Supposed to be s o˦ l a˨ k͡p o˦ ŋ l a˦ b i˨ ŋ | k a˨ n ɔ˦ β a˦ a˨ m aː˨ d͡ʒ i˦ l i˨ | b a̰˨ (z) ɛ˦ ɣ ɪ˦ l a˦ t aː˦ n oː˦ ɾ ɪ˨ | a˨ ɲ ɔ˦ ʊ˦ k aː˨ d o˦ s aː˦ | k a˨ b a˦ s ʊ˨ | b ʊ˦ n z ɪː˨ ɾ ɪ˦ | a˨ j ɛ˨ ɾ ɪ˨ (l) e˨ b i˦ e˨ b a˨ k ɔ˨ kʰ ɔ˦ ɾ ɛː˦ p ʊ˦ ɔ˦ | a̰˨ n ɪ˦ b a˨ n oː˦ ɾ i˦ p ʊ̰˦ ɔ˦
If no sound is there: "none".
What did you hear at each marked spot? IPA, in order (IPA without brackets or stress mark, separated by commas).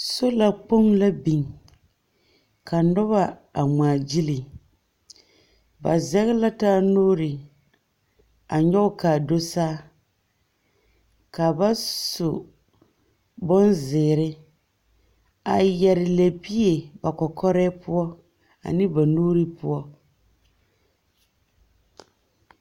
z, l